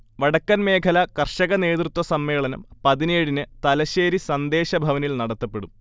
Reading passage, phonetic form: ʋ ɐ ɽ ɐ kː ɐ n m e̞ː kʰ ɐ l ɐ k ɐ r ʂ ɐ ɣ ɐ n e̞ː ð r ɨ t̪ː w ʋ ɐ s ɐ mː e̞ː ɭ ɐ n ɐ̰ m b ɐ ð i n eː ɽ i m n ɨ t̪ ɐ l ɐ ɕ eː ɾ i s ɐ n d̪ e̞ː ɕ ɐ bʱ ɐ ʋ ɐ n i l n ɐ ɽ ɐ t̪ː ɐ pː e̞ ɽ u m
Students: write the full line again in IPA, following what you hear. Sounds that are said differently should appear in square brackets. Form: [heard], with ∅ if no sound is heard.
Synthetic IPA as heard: ʋ ɐ ɽ ɐ kː ɐ n m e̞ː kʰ ɐ l ɐ k ɐ r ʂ ɐ ɣ ɐ n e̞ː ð r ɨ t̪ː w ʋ ɐ s ɐ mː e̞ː ɭ ɐ n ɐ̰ m [p] ɐ ð i n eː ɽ i [∅] n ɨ t̪ ɐ l ɐ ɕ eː ɾ i s ɐ n d̪ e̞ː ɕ ɐ bʱ ɐ ʋ ɐ n i l n ɐ ɽ ɐ t̪ː ɐ pː e̞ ɽ u m